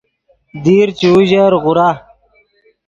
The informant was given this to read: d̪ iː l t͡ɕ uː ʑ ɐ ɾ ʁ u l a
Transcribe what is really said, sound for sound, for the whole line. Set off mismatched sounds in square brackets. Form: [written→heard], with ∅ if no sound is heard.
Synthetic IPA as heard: d̪ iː [l→ɾ] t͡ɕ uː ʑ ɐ ɾ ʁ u [l→ɾ] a

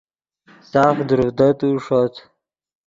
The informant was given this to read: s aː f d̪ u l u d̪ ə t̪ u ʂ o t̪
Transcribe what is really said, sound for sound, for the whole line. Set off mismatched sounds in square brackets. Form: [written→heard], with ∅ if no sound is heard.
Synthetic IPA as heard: s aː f d̪ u [l→ɾ] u d̪ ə t̪ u ʂ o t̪

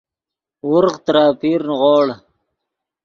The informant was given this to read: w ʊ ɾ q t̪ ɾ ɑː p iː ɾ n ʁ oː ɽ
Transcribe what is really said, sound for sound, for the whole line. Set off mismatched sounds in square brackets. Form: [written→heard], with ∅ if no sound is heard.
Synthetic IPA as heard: w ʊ ɾ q t̪ ɾ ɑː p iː ɾ n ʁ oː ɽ

